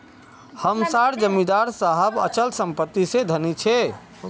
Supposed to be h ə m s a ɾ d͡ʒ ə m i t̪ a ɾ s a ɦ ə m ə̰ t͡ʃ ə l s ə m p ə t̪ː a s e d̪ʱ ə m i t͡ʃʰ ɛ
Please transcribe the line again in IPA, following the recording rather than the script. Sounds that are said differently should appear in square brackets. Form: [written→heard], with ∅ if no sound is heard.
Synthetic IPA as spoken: h ə m s a ɾ d͡ʒ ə m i [t̪→d̪] a ɾ s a ɦ ə [m→b] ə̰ t͡ʃ ə l s ə m p ə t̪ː [a→i] s e d̪ʱ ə [m→n] i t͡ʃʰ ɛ